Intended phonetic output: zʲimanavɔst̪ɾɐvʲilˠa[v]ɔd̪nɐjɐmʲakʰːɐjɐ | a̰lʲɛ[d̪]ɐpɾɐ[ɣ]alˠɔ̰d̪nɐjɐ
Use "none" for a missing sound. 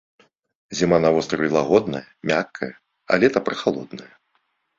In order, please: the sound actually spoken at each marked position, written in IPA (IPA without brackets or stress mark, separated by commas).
ɣ, t̪, x